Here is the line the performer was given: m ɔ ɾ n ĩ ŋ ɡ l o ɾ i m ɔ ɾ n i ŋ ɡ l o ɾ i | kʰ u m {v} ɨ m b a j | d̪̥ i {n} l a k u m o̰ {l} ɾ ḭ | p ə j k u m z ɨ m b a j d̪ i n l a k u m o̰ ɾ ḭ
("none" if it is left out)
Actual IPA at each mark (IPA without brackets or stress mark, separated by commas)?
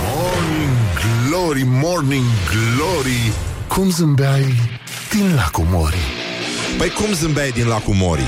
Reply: z, n, none